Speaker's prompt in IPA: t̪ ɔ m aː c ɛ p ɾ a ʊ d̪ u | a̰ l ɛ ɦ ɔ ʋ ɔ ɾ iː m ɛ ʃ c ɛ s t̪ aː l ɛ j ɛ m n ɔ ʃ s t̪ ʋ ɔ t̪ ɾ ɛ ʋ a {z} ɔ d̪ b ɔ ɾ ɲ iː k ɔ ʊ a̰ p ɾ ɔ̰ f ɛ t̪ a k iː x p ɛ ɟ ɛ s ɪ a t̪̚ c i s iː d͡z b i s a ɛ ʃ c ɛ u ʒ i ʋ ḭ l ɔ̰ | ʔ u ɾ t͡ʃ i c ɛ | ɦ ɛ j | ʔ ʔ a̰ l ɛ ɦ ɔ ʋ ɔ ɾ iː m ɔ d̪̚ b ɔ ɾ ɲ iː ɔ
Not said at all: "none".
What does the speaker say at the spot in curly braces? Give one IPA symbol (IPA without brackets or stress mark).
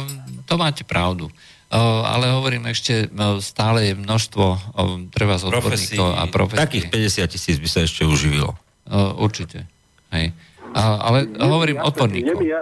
z